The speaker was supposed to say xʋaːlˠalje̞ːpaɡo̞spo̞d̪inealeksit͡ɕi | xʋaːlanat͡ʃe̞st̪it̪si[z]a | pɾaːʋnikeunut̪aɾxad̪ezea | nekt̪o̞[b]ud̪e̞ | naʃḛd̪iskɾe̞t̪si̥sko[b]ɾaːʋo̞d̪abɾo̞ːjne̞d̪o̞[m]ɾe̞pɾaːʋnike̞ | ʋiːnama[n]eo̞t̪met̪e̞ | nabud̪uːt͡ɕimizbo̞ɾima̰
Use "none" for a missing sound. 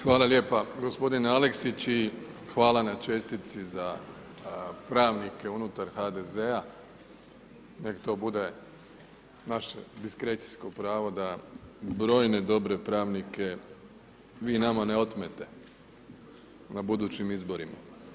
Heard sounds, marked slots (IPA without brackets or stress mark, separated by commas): z, b, p, b, n